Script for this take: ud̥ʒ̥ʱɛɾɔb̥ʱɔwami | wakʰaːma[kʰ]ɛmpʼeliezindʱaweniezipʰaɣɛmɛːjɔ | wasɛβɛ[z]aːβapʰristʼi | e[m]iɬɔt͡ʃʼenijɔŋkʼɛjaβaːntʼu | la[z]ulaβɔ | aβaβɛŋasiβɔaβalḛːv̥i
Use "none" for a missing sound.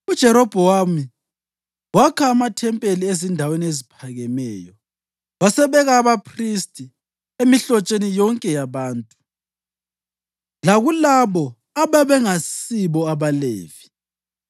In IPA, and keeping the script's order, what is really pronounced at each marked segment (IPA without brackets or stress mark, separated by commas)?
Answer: tʰ, ɣ, m, ɣ